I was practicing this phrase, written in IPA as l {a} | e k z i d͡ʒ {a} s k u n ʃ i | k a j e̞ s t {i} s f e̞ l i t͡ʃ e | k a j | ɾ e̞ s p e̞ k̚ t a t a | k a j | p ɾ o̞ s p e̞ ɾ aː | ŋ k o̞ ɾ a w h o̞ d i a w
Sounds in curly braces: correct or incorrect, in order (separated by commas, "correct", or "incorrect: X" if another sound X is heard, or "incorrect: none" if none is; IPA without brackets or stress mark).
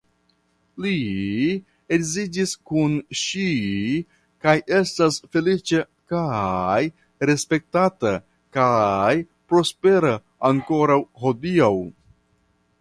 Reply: incorrect: i, incorrect: i, incorrect: a